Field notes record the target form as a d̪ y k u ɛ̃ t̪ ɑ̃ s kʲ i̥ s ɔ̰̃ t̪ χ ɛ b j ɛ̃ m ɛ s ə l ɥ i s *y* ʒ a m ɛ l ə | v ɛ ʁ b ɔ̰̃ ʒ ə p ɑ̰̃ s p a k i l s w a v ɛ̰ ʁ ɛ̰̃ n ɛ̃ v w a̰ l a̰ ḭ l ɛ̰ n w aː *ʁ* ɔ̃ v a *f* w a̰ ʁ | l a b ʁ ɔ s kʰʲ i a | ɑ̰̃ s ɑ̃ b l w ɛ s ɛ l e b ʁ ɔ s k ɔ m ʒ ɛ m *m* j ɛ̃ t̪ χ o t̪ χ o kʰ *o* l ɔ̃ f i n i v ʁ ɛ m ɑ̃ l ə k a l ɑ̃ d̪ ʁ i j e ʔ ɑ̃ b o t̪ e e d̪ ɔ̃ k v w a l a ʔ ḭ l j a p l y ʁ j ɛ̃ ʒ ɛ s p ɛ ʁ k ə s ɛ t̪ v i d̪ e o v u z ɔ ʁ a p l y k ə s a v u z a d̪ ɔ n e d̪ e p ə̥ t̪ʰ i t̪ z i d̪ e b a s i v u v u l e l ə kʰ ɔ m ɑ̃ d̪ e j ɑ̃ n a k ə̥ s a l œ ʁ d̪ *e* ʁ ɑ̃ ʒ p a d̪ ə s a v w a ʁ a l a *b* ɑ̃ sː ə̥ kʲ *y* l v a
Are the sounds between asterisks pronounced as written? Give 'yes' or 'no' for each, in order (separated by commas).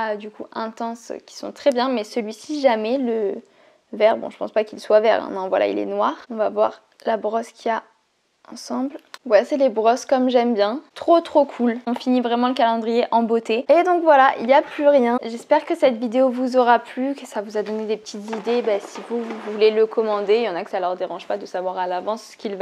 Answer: no, yes, no, no, no, yes, no, no